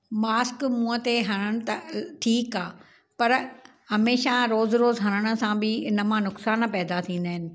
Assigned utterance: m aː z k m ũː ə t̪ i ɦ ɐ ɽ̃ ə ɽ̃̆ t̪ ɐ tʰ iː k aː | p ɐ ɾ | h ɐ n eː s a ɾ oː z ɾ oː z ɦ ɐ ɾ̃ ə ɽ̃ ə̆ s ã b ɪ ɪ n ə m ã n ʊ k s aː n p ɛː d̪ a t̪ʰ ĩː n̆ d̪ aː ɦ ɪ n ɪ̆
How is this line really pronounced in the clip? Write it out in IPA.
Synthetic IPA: m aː s k m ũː ə t̪ e ɦ ɐ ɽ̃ ə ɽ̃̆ t̪ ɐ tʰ iː k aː | p ɐ ɾ | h ɐ m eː ʃ a ɾ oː z ɾ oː z ɦ ɐ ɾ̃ ə ɽ̃ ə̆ s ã b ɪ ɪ n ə m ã n ʊ k s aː n p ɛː d̪ a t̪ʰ ĩː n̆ d̪ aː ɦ ɪ n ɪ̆